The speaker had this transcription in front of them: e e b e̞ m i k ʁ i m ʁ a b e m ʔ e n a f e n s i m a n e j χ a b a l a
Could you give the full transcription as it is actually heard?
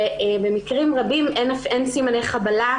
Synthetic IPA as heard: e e b e̞ m i k ʁ i m ʁ a b i m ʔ e n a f e n s i m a n e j χ a b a l a